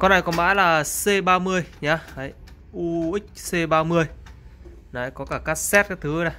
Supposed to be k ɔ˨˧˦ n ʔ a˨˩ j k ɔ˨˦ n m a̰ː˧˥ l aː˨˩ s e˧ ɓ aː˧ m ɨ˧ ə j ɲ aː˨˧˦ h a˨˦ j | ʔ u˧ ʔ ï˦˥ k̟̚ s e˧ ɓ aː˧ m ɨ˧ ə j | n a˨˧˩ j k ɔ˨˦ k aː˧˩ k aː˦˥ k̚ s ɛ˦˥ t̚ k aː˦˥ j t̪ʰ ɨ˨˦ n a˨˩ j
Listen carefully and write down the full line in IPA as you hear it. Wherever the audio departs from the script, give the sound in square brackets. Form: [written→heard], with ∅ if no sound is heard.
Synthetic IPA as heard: k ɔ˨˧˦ n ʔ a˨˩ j k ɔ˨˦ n m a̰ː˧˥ l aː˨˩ s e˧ ɓ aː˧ m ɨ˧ ə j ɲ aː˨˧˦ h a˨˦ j | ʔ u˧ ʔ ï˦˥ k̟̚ s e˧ ɓ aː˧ m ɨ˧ ə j | n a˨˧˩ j k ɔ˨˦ k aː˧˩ k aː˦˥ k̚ s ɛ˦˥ t̚ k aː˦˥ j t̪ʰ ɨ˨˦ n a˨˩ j